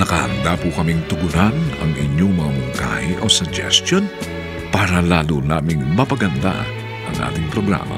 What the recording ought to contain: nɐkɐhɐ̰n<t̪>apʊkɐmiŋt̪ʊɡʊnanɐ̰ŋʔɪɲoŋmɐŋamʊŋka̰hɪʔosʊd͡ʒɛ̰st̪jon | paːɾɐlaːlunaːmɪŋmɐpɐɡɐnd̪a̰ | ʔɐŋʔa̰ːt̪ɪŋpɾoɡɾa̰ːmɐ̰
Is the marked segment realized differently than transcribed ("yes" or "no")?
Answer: yes